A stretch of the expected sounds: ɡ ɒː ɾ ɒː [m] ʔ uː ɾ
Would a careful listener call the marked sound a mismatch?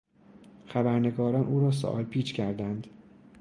yes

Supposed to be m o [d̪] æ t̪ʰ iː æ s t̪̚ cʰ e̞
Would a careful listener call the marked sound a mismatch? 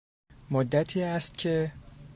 yes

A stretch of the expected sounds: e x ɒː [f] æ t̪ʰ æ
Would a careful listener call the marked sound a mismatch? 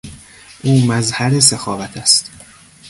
yes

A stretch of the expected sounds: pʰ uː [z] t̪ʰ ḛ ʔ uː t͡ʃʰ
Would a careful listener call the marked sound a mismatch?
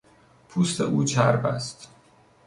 yes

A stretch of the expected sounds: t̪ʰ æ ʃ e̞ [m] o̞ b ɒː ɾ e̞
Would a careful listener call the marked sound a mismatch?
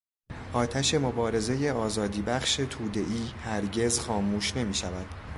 no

